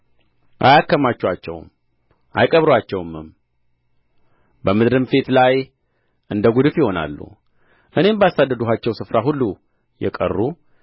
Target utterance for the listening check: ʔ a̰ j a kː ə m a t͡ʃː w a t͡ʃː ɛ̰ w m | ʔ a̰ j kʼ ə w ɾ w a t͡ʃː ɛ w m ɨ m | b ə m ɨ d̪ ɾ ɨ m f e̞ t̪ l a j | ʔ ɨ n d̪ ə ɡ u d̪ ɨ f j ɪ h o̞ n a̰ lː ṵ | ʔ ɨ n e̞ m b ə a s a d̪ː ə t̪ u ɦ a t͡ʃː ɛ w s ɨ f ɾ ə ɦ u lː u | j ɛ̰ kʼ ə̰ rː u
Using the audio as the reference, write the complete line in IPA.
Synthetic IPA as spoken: ʔ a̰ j a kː ə m a t͡ʃː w a t͡ʃː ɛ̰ w m | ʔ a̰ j kʼ ə β ɾ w a t͡ʃː ɛ w m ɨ m | b ə m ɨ d̪ ɾ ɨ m f e̞ t̪ l a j | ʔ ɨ n d̪ ə ɡ u d̪ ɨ f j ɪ h o̞ n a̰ lː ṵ | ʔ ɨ n e̞ m b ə a s a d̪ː ə d̪ u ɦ a t͡ʃː ɛ w s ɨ f ɾ a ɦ u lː u | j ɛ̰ kʼ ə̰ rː u

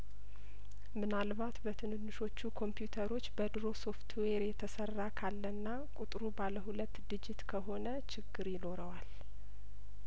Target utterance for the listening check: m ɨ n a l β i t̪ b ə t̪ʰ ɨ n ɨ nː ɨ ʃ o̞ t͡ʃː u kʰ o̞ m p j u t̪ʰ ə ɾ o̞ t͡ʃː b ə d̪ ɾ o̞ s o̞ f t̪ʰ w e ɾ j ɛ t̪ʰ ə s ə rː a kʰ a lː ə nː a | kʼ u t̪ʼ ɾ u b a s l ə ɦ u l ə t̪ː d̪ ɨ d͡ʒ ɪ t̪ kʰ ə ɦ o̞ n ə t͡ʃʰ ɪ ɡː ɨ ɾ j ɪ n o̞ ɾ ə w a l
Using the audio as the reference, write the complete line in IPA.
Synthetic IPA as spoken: m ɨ n a l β a t̪ b ə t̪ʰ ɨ n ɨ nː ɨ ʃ o̞ t͡ʃː u kʰ o̞ m p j u t̪ʰ ə ɾ o̞ t͡ʃː b ə d̪ ɾ o̞ s o̞ f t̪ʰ w e ɾ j ɛ t̪ʰ ə s ə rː a kʰ a lː ə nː a | kʼ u t̪ʼ ɾ u b a l ə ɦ u l ə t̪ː d̪ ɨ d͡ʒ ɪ t̪ kʰ ə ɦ o̞ n ə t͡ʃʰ ɪ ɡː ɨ ɾ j ɪ n o̞ ɾ ə w a l

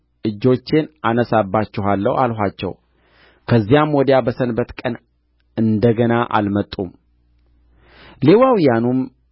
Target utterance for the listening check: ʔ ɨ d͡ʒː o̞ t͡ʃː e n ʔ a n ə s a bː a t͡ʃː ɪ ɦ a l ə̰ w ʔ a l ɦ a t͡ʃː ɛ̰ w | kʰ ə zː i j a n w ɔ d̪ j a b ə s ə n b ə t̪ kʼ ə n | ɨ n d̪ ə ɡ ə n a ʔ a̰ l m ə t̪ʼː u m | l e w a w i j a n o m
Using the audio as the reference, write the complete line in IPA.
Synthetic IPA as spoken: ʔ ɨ d͡ʒː o̞ t͡ʃː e n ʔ a n ə s a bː a t͡ʃː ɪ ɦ a lː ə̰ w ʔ a l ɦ a t͡ʃː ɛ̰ w | kʰ ə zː i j a m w ɔ d̪ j a b ə s ə n b ə t̪ kʼ ə n | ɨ n d̪ ə ɡ ə n a ʔ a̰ l m ə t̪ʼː u m | l e w a w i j a n u m

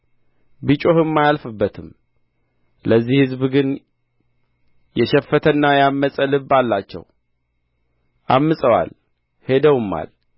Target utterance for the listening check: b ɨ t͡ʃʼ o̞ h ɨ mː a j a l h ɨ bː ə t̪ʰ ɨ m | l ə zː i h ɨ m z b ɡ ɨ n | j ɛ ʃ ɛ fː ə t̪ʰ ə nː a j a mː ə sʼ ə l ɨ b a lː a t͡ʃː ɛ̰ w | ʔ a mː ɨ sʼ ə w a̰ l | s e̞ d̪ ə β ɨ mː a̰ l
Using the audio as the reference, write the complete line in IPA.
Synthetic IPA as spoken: b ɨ t͡ʃʼ o̞ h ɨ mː a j a l f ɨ bː ə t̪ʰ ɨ m | l ə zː i h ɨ z b ɡ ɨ n | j ɛ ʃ ɛ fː ə t̪ʰ ə nː a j a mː ə sʼ ə l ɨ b a lː a t͡ʃː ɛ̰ w | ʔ a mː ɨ sʼ ə w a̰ l | h e̞ d̪ ə w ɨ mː a̰ l

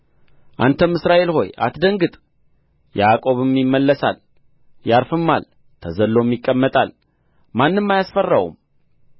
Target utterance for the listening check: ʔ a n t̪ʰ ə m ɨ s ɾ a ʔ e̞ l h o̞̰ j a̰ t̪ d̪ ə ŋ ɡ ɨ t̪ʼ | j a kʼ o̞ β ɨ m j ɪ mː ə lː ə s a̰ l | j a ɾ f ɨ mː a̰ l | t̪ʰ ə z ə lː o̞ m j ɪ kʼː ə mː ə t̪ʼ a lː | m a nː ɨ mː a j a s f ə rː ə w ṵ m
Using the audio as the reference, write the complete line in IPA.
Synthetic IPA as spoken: ʔ a n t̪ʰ ə m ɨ s ɾ a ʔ e̞ l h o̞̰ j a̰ t̪ d̪ ə ŋ ɡ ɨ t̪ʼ | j a kʼ o̞ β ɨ m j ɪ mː ə lː ə s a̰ l | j a ɾ f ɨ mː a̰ l | t̪ʰ ə z ə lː o̞ m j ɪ kʼː ə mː ə t̪ʼ a l | m a nː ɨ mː a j a s f ə rː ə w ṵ m

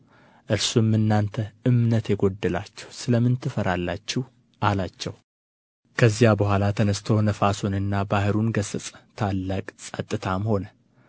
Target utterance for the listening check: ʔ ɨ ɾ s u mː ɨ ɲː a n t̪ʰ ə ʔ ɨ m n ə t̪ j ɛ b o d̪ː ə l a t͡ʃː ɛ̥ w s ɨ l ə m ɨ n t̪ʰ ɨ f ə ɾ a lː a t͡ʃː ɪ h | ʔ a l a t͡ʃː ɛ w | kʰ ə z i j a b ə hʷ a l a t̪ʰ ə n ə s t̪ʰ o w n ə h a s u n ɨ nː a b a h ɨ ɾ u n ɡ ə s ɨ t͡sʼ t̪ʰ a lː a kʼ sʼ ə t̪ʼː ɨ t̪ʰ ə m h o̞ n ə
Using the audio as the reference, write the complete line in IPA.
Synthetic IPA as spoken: ʔ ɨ ɾ s u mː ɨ nː a n t̪ʰ ə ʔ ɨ m n ə t̪ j ɛ ɡ o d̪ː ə l a t͡ʃː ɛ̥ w s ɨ l ə m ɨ n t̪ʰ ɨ f ə ɾ a lː a t͡ʃː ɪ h | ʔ a l a t͡ʃː ɛ w | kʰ ə z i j a b ə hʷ a l a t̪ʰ ə n ə s t̪ʰ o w n ə f a s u n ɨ nː a b a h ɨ ɾ u n ɡ ə s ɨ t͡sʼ t̪ʰ a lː a kʼ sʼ ə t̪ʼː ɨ t̪ʰ a m h o̞ n ə

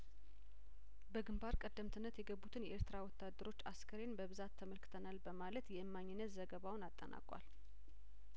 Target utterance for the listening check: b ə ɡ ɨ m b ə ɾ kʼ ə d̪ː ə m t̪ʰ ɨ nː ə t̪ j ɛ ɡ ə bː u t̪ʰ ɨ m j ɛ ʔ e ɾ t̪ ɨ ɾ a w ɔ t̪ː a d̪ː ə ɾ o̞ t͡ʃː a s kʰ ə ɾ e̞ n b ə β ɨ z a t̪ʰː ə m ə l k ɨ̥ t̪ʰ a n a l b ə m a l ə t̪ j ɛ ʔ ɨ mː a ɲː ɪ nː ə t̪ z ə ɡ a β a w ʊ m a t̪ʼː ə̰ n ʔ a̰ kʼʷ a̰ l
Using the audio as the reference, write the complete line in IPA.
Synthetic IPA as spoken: b ə ɡ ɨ m b a ɾ kʼ ə d̪ː ə m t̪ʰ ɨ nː ə t̪ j ɛ ɡ ə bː u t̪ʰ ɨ n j ɛ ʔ e ɾ t̪ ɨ ɾ a w ɔ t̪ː a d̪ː ə ɾ o̞ t͡ʃː a s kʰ ə ɾ e̞ n b ə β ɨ z a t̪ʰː ə m ə l k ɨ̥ t̪ʰ ə n a l b ə m a l ə t̪ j ɛ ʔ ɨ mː a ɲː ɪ nː ə t̪ z ə ɡ ə β a w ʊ n a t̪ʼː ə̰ n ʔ a̰ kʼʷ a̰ l

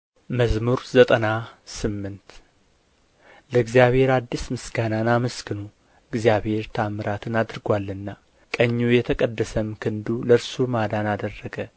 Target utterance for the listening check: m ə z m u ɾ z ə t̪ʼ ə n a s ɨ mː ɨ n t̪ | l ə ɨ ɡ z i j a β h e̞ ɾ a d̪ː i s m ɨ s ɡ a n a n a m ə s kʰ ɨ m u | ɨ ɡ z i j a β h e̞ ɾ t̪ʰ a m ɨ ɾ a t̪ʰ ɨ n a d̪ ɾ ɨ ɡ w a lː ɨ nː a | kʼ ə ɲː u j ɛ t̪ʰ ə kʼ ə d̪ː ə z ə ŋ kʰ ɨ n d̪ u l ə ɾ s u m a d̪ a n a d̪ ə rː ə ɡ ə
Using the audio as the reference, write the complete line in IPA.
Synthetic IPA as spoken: m ə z m u ɾ z ə t̪ʼ ə n a s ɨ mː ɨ n t̪ | l ə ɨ ɡ z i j a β h e̞ ɾ a d̪ː i s m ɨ s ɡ a n a n a m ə s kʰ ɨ n u | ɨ ɡ z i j a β h e̞ ɾ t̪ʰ a m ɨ ɾ a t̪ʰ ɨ n a d̪ ɾ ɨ ɡ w a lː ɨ nː a | kʼ ə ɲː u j ɛ t̪ʰ ə kʼ ə d̪ː ə s ə m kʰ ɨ n d̪ u l ə ɾ s u m a d̪ a n a d̪ ə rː ə ɡ ə

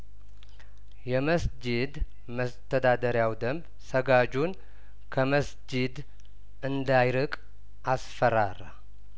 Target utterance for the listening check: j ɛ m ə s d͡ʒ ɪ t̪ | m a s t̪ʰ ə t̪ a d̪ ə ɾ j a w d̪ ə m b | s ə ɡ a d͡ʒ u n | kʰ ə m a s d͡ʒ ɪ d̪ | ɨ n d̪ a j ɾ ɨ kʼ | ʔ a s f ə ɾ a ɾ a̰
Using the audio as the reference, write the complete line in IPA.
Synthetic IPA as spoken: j ɛ m ə s d͡ʒ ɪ d̪ | m ə s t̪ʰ ə d̪ a d̪ ə ɾ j a w d̪ ə m b | s ə ɡ a d͡ʒ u n | kʰ ə m ə s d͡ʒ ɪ d̪ | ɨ n d̪ a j ɾ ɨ kʼ | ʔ a s f ə ɾ a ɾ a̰

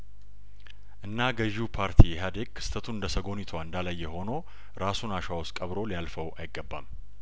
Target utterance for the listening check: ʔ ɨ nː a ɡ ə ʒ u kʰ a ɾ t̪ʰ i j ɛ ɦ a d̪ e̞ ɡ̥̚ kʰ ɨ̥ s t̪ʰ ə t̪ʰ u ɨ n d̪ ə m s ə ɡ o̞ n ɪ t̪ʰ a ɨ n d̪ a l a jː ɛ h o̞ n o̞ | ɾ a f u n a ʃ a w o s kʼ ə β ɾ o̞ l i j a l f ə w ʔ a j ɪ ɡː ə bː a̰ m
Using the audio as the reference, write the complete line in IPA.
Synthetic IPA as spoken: ʔ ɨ nː a ɡ ə ʒ u pʰ a ɾ t̪ʰ i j ɛ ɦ a d̪ e̞ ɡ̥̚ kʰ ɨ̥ s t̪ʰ ə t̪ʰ u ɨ n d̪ ə s ə ɡ o̞ n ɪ t̪ʰ a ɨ n d̪ a l a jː ɛ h o̞ n o̞ | ɾ a s u n a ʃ a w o s kʼ ə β ɾ o̞ l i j a l f ə w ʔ a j ɪ ɡː ə bː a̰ m

